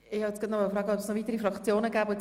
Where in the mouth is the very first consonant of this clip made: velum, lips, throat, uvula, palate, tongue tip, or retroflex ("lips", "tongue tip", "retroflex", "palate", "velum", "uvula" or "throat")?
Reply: throat